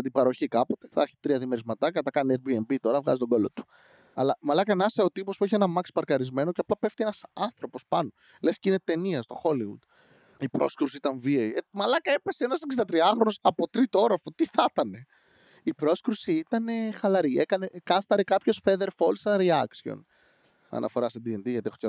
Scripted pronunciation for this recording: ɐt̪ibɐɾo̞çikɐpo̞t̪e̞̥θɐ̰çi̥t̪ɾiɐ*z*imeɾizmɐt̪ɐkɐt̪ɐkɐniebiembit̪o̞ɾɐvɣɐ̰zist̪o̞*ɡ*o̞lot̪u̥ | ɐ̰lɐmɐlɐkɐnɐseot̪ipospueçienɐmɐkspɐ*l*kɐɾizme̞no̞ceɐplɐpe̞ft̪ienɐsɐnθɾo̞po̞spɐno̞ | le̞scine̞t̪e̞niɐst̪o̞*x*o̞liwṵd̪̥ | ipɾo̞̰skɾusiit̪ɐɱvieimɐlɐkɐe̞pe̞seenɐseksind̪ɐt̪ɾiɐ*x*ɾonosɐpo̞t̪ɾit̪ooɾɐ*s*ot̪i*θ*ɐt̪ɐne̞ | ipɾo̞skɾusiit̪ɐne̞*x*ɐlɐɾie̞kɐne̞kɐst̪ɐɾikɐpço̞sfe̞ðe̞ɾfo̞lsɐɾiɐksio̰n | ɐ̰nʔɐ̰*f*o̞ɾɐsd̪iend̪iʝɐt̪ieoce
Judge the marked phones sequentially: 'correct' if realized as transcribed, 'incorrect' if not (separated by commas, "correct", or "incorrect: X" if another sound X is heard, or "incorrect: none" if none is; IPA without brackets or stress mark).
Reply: incorrect: ð, correct, incorrect: ɾ, correct, correct, incorrect: f, correct, correct, correct